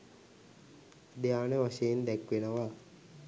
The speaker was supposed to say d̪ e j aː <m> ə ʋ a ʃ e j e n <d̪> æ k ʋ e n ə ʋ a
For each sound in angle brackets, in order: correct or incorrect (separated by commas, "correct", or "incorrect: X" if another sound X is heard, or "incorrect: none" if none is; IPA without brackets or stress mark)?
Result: incorrect: n, correct